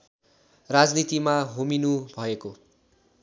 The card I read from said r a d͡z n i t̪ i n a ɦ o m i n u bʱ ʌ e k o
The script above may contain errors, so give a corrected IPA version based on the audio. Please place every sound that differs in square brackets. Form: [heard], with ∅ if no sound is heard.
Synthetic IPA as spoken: r a d͡z n i t̪ i [m] a ɦ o m i n u bʱ ʌ e k o